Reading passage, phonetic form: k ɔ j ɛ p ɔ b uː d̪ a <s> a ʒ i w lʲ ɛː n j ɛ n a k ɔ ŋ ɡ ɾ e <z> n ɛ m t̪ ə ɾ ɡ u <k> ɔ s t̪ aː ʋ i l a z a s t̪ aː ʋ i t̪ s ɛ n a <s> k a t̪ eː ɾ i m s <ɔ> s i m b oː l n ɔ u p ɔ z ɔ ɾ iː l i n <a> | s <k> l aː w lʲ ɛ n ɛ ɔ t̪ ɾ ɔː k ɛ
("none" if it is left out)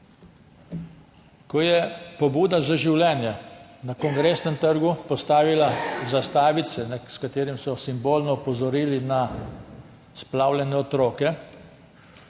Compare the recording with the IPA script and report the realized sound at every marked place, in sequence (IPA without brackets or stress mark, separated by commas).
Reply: z, s, p, s, ɔ, a, p